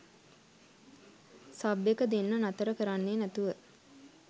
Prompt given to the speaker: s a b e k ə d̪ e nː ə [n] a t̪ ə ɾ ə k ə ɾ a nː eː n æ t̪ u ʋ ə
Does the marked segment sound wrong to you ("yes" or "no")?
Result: no